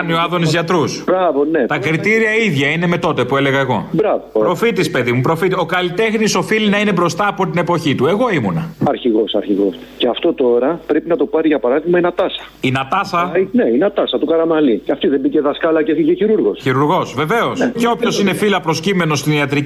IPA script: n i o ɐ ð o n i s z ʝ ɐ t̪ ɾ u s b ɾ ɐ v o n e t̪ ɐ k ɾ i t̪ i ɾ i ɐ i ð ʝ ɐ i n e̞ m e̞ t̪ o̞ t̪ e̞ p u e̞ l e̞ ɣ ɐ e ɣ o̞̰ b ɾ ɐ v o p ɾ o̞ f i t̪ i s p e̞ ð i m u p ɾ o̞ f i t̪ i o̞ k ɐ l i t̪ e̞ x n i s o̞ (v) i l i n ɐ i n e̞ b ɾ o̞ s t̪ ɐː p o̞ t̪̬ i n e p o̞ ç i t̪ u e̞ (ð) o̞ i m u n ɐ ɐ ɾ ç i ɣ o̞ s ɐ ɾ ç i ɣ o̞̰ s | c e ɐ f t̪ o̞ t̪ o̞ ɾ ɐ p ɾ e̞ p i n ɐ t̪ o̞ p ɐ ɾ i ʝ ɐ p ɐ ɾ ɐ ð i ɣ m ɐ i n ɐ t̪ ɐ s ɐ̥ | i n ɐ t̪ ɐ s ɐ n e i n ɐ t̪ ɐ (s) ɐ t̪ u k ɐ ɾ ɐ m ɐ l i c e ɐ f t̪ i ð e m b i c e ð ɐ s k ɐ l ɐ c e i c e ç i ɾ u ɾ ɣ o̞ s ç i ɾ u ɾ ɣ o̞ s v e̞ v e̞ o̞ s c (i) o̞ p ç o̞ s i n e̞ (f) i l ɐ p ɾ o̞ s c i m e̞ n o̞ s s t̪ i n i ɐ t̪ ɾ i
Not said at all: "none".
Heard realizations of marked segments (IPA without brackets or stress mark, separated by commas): f, ɣ, s, e, f